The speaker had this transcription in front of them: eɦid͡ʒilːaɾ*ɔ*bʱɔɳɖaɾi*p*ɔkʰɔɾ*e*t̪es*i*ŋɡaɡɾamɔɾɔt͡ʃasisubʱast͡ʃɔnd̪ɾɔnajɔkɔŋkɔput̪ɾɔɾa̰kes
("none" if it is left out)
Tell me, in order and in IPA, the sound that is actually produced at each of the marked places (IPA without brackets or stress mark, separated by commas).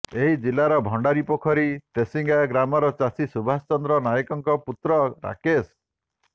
ɔ, p, i, i